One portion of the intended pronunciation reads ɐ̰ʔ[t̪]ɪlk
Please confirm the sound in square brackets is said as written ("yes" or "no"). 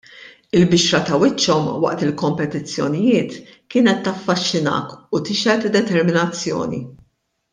yes